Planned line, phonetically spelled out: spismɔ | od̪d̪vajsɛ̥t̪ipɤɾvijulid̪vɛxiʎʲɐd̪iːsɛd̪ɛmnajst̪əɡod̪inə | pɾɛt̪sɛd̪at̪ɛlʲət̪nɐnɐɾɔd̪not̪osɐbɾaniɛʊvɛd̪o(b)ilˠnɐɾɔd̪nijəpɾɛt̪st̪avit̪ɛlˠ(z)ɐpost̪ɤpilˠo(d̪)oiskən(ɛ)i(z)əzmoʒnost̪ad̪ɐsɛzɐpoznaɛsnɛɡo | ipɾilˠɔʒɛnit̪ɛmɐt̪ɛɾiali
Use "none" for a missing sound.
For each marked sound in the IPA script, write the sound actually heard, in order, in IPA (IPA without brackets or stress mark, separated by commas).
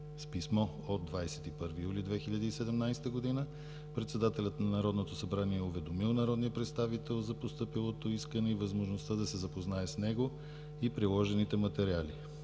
m, z, t̪, ɛ, v